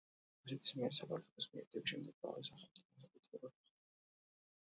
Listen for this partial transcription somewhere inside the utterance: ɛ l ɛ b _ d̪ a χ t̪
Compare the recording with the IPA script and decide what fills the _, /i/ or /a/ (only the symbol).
a